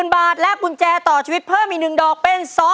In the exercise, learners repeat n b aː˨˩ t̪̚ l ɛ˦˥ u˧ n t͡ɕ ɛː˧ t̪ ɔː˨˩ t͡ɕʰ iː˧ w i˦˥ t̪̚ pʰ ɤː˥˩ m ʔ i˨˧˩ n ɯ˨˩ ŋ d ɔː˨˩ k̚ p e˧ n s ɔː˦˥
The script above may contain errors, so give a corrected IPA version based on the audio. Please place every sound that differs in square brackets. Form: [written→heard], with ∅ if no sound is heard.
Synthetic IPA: n b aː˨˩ t̪̚ l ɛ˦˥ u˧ n t͡ɕ ɛː˧ t̪ ɔː˨˩ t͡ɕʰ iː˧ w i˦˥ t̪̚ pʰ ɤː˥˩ m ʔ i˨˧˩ n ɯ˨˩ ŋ d ɔː˨˩ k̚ p e˧ n s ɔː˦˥